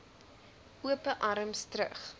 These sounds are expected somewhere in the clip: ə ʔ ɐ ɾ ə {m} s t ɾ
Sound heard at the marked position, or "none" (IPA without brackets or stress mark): m